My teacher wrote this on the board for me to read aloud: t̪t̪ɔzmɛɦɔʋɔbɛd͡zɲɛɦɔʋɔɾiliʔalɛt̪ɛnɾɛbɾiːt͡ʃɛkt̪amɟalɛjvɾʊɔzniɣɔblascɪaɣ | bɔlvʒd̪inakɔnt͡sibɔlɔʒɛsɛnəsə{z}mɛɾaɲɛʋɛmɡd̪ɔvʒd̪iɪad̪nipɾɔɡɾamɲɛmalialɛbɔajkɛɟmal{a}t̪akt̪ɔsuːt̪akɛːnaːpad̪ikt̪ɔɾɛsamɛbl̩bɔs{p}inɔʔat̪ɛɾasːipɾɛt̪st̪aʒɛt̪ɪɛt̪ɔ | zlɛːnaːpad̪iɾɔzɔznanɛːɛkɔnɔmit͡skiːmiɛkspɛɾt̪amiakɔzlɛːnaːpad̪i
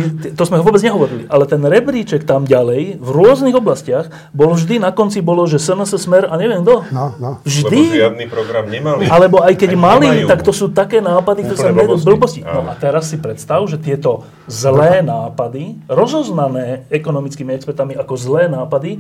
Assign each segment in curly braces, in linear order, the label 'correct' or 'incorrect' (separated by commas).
incorrect, incorrect, incorrect